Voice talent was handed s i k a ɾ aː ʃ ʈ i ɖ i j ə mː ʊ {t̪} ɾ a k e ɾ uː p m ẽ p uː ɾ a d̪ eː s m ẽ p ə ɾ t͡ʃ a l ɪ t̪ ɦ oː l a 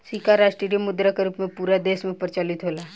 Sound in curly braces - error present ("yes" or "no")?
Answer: yes